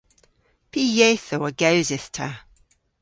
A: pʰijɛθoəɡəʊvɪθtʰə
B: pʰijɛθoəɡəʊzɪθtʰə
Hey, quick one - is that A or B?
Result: B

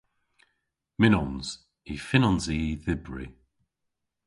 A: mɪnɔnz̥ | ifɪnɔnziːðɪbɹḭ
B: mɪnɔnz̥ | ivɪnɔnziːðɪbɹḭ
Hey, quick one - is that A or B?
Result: A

